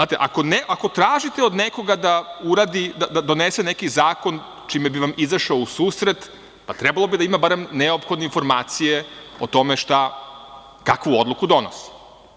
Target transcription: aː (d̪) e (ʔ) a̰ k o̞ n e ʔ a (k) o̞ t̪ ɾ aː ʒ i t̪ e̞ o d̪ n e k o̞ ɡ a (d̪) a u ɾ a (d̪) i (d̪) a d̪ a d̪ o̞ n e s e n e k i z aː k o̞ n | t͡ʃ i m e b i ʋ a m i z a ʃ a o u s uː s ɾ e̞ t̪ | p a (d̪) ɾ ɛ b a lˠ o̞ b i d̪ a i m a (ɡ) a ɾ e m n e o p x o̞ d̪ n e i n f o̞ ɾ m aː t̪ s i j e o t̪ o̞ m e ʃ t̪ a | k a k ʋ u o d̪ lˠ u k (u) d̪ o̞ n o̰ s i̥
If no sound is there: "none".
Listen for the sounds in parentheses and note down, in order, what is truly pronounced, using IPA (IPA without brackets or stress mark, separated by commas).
t̪, ʔ, k, d̪, d̪, d̪, t̪, b, u